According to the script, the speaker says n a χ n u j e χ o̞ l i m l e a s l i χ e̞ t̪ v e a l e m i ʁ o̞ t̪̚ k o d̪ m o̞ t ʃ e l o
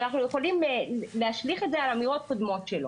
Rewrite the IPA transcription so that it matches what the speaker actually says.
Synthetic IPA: n a χ n u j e χ o̞ l i m l e a ʃ l i χ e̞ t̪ z e a l a m i ʁ o̞ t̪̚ k o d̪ m o̞ t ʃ e l o